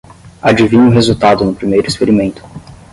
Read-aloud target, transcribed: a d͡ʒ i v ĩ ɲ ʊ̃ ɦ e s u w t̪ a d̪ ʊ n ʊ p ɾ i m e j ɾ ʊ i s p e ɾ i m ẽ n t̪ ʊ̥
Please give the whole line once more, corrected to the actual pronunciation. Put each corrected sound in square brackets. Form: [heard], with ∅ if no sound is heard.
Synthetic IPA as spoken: a d͡ʒ i v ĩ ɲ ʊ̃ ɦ e [z] u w t̪ a d̪ ʊ n ʊ p ɾ i m e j ɾ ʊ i s p e ɾ i m ẽ n t̪ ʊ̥